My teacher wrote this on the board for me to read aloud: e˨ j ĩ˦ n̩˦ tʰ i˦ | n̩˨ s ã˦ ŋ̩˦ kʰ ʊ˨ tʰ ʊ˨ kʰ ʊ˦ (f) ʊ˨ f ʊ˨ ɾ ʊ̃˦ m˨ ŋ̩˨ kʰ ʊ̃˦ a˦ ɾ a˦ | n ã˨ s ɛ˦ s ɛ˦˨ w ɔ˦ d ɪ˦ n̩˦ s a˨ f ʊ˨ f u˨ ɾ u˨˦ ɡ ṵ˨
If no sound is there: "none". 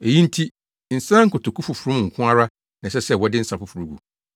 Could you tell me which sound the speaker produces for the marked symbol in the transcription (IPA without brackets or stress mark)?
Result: f